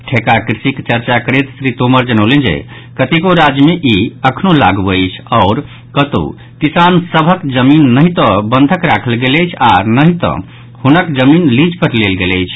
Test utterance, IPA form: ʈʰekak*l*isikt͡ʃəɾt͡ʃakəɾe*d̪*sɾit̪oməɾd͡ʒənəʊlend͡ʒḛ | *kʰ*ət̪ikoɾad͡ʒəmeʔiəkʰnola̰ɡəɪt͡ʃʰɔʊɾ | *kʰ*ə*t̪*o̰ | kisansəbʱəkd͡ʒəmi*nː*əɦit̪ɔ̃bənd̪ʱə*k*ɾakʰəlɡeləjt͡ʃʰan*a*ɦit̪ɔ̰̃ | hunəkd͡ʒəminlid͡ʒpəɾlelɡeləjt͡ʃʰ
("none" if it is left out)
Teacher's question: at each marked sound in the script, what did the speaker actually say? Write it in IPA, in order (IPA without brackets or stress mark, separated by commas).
ɾ, t̪, k, k, t̪, nː, k, ə